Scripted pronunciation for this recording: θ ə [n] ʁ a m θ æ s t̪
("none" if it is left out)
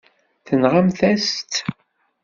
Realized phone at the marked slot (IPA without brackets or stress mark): n